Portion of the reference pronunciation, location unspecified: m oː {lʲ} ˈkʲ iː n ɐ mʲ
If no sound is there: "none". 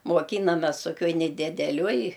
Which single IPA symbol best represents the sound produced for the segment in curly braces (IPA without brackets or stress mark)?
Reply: none